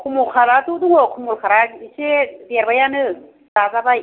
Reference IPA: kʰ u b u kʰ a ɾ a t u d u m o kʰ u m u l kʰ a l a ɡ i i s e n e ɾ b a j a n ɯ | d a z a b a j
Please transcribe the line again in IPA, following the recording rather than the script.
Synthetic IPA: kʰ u m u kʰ a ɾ a t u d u ŋ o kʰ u m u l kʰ a ɾ a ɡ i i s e d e ɾ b a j a n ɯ | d a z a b a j

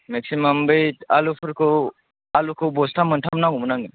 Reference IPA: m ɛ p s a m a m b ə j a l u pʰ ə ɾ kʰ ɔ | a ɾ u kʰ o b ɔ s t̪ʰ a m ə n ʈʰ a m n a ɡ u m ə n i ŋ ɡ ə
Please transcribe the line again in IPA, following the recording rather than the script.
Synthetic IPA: m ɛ k s i m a m b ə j a l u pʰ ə ɾ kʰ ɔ | a l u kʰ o b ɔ s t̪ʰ a m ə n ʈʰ a m n a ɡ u m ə n a ŋ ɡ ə

